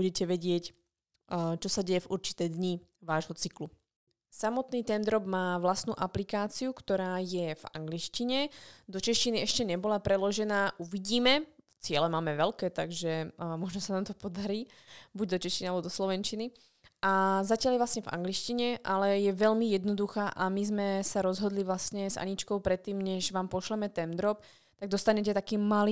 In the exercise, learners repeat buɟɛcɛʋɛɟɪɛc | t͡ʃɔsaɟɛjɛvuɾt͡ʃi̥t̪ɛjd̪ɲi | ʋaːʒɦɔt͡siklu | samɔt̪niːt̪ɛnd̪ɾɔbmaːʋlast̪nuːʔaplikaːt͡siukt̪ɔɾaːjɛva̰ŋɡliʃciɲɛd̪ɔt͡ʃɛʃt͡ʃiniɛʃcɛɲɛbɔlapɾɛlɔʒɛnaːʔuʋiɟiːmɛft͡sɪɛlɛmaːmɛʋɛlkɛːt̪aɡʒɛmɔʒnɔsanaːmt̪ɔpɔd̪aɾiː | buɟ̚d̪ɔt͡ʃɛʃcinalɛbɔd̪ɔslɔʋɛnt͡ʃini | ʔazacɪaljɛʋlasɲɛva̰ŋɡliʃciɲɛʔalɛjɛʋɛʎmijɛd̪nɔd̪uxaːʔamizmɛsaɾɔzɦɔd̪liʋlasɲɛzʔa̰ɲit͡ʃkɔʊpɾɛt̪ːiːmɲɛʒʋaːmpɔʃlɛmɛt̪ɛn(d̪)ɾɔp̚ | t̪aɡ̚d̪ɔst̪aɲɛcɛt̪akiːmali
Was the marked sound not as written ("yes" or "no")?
no